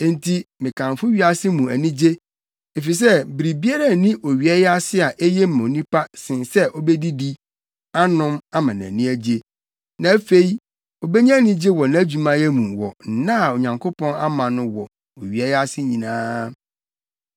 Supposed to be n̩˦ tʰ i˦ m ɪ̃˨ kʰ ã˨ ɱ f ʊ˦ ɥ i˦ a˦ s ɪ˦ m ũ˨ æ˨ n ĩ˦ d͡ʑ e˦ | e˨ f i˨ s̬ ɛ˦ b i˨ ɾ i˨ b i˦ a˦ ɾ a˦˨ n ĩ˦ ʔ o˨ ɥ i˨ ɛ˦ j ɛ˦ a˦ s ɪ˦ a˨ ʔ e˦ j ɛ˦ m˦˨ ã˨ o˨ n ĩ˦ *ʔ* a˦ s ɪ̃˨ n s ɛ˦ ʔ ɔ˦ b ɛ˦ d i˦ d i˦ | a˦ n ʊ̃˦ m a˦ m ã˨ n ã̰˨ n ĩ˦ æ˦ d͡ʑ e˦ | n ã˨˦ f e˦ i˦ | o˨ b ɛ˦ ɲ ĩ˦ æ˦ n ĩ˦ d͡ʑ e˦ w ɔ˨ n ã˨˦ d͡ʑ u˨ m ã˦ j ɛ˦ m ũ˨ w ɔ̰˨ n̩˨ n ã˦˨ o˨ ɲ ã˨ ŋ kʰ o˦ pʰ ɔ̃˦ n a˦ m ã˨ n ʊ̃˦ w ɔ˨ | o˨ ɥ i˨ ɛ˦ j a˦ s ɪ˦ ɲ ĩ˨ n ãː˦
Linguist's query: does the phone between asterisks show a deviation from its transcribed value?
yes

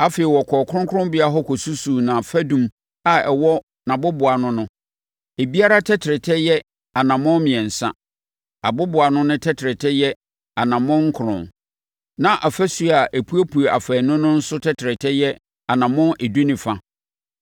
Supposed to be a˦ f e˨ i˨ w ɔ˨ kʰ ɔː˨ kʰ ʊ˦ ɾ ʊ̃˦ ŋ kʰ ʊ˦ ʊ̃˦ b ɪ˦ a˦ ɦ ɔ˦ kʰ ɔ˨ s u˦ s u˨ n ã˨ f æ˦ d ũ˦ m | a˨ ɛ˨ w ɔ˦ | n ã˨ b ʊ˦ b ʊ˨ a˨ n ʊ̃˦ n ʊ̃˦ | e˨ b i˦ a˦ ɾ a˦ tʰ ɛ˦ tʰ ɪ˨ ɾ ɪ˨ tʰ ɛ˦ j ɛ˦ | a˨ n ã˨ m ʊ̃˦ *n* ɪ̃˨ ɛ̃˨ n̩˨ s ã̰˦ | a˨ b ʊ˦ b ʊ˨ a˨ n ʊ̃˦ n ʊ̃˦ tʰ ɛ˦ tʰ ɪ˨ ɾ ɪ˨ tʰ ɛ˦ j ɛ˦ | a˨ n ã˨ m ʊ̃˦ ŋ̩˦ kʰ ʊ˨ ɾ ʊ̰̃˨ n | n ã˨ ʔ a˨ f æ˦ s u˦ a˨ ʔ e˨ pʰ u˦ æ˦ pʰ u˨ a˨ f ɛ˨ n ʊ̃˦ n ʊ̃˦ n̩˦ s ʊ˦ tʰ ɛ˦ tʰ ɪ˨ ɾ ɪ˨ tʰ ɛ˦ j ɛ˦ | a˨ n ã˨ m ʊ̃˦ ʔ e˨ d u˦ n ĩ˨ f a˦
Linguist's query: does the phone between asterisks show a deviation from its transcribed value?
yes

